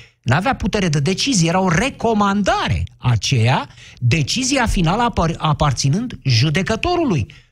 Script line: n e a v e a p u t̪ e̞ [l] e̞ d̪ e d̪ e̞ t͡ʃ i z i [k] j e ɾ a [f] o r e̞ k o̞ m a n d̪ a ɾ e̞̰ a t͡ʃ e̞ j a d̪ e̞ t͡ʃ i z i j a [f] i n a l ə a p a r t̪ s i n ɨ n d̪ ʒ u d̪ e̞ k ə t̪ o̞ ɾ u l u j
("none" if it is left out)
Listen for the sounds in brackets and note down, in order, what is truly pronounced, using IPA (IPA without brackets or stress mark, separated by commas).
ɾ, none, none, f